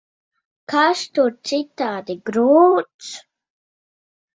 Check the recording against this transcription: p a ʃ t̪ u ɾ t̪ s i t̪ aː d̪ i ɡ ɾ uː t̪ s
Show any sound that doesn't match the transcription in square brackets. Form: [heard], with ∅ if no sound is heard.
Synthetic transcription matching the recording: [k] a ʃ t̪ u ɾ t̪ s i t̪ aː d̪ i ɡ ɾ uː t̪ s